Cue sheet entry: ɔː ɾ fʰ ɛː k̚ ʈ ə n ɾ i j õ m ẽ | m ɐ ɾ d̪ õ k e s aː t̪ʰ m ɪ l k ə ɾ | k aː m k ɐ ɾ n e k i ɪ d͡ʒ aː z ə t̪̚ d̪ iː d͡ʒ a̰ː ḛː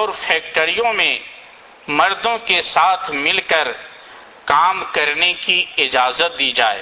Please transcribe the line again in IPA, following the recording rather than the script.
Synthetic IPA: ɔː ɾ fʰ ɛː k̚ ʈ ə ɾ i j õ m ẽ | m ɐ ɾ d̪ õ k e s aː t̪ʰ m ɪ l k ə ɾ | k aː m k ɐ ɾ n e k i ɪ d͡ʒ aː z ə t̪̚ d̪ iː d͡ʒ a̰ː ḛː